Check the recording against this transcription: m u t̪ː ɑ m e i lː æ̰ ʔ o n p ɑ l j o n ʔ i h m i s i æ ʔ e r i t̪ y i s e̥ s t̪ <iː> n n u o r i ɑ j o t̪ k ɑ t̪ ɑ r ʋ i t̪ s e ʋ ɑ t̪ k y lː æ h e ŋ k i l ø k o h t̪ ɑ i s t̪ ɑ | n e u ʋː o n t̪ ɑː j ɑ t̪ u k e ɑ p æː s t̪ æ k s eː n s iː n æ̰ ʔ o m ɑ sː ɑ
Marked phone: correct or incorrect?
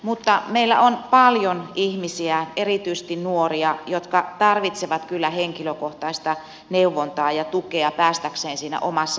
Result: incorrect